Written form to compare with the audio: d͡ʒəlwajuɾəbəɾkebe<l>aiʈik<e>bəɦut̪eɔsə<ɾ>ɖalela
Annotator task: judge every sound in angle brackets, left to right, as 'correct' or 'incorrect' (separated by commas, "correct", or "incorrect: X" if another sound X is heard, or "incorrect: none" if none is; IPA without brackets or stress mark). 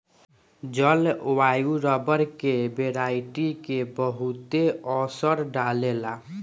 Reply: incorrect: ɾ, correct, correct